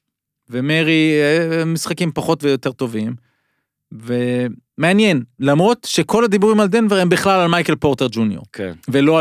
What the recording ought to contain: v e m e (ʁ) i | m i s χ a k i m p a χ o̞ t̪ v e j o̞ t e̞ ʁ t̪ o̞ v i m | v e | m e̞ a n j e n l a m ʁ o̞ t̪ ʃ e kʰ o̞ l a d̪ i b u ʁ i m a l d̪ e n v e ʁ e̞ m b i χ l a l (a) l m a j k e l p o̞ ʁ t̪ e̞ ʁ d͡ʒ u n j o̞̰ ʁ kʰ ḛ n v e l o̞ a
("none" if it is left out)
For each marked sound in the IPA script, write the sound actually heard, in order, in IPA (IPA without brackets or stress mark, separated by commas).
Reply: ʁ, a